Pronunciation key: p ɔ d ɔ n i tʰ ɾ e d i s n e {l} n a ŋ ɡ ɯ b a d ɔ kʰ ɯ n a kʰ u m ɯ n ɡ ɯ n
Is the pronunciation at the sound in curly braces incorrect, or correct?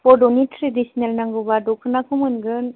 correct